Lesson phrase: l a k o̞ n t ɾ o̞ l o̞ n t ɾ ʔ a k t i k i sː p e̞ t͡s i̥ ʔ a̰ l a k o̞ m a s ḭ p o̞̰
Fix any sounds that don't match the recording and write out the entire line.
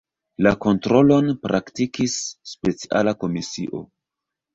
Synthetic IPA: l a k o̞ n t ɾ o̞ l o̞ n p ɾ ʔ a k t i k i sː p e̞ t͡s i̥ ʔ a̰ l a k o̞ m i s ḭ ʔ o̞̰